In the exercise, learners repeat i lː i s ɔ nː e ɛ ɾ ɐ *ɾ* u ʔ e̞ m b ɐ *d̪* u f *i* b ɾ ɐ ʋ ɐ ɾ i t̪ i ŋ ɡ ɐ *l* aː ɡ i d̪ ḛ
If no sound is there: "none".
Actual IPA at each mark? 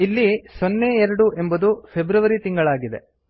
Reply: ɽ, d̪, e, ɭ

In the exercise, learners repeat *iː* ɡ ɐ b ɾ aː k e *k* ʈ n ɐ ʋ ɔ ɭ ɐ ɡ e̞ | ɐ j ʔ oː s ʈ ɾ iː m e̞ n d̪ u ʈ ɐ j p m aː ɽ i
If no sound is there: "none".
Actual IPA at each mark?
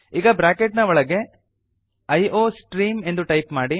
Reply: iː, none

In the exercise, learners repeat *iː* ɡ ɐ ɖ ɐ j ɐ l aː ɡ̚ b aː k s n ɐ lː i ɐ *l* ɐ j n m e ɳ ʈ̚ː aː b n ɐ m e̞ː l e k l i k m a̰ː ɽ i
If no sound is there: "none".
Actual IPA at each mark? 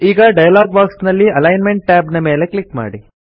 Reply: iː, l

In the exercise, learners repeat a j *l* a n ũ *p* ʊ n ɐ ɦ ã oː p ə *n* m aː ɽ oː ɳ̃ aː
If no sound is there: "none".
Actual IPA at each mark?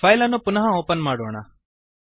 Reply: l, p, n

